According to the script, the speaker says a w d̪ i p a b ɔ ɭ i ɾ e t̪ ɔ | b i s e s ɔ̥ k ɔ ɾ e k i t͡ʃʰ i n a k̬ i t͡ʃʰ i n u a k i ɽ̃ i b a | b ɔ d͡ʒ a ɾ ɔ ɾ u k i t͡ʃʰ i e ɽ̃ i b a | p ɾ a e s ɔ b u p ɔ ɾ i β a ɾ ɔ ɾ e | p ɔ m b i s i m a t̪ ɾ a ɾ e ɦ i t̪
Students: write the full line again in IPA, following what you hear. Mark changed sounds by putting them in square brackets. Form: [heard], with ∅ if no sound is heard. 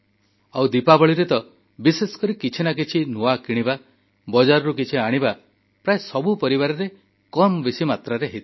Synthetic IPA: a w d̪ i p a b ɔ ɭ i ɾ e t̪ ɔ | b i s e s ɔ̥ k ɔ ɾ [i] k i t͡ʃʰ i n a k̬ i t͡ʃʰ i n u a k i ɽ̃ i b a | b ɔ d͡ʒ a ɾ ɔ ɾ u k i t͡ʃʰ i [a] ɽ̃ i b a | p ɾ a e s ɔ b u p ɔ ɾ i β a ɾ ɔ ɾ e | [k] ɔ m b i s i m a t̪ ɾ a ɾ e ɦ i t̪